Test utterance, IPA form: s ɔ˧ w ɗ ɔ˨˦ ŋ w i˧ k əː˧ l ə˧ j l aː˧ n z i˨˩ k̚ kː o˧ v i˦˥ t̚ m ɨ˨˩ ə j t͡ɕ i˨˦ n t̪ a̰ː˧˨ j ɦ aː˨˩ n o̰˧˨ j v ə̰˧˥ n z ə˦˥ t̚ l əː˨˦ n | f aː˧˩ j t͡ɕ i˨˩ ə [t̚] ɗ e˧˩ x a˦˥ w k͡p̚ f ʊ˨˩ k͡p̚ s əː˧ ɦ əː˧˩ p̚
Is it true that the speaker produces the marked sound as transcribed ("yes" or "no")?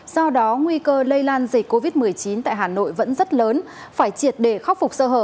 yes